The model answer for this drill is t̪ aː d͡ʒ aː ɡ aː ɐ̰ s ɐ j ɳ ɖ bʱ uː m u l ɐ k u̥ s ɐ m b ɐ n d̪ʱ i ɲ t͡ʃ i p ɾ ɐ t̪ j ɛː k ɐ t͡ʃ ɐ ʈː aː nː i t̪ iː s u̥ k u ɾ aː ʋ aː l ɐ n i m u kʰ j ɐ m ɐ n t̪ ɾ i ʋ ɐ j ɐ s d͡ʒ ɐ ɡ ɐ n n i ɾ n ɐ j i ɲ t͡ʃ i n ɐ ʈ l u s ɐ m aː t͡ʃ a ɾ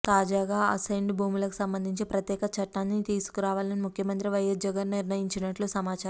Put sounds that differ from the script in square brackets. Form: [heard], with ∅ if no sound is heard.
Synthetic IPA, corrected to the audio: t̪ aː d͡ʒ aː ɡ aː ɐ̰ s ɐ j ɳ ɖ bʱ uː m u l ɐ k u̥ s ɐ m b ɐ n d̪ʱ i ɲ t͡ʃ i p ɾ ɐ t̪ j ɛː k ɐ t͡ʃ ɐ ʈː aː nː i t̪ iː s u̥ k u ɾ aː ʋ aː l ɐ n i m u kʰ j ɐ m ɐ n t̪ ɾ i ʋ ɐ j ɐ s d͡ʒ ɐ ɡ ɐ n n i ɾ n ɐ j i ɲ t͡ʃ i n ɐ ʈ l u s ɐ m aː t͡ʃ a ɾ

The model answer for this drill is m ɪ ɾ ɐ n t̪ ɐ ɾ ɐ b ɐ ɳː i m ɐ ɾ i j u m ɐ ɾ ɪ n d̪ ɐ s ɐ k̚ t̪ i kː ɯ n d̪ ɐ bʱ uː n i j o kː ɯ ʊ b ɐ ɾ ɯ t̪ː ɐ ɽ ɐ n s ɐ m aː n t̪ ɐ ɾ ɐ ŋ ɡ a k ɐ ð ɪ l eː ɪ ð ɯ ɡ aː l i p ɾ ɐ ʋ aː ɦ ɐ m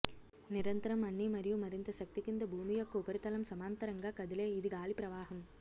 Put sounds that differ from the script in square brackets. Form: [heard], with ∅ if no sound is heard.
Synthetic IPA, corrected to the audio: [n] ɪ ɾ ɐ n t̪ ɐ ɾ ɐ [m] ɐ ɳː i m ɐ ɾ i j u m ɐ ɾ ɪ n d̪ ɐ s ɐ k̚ t̪ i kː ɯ n d̪ ɐ bʱ uː [m] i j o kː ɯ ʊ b ɐ ɾ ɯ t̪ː ɐ [l] ɐ [m] s ɐ m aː n t̪ ɐ ɾ ɐ ŋ ɡ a k ɐ ð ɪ l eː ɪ ð ɯ ɡ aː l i p ɾ ɐ ʋ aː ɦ ɐ m

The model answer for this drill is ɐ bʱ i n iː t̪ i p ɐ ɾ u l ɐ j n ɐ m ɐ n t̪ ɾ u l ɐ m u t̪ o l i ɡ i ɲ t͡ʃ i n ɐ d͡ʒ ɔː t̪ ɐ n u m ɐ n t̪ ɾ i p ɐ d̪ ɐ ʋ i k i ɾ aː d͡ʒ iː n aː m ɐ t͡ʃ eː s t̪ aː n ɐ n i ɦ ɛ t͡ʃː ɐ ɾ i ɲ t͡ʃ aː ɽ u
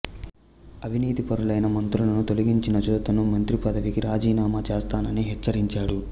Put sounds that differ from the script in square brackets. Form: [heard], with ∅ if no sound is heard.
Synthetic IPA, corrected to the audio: ɐ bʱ i n iː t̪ i p ɐ ɾ u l ɐ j n ɐ m ɐ n t̪ ɾ u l ɐ [n] u t̪ o l i ɡ i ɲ t͡ʃ i n ɐ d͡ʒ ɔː t̪ ɐ n u m ɐ n t̪ ɾ i p ɐ d̪ ɐ ʋ i k i ɾ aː d͡ʒ iː n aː m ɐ t͡ʃ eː s t̪ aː n ɐ n i ɦ ɛ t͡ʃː ɐ ɾ i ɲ t͡ʃ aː ɽ u

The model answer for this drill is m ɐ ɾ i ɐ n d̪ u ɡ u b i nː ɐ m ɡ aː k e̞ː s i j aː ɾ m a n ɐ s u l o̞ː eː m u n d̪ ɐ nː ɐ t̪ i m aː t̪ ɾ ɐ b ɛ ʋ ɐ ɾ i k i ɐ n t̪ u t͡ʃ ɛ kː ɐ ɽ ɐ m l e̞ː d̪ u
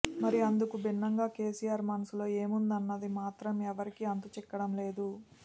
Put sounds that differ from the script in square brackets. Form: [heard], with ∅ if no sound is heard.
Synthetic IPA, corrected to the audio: m ɐ ɾ i ɐ n d̪ u [k] u b i nː ɐ [ŋ] ɡ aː k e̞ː s i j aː ɾ m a n ɐ s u l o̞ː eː m u n d̪ ɐ nː ɐ [d̪] i m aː t̪ ɾ ɐ [m] ɛ ʋ ɐ ɾ i k i ɐ n t̪ u t͡ʃ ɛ kː ɐ ɽ ɐ m l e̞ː d̪ u

